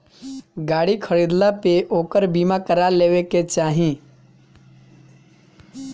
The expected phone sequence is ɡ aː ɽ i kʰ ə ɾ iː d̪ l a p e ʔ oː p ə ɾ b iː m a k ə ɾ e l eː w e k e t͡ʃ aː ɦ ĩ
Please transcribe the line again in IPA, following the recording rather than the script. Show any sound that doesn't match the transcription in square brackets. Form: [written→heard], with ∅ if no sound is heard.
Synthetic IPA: ɡ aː ɽ i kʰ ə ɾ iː d̪ l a p e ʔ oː [p→k] ə ɾ b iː m a k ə ɾ [e→a] l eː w e k e t͡ʃ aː ɦ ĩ